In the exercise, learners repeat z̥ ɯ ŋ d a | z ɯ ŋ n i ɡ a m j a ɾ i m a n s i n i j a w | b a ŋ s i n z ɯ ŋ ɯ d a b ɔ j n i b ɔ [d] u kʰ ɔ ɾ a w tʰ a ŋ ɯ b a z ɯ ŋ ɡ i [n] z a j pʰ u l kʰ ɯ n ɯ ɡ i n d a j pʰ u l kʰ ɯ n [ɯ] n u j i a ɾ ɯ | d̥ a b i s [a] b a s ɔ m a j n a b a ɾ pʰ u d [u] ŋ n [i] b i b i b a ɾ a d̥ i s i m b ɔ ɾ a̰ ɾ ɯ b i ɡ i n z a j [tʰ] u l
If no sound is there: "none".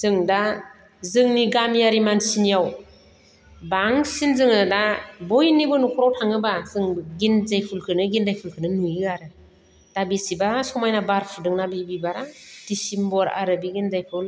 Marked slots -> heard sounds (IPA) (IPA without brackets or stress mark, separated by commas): n, n, ɯ, i, ɯ, a, pʰ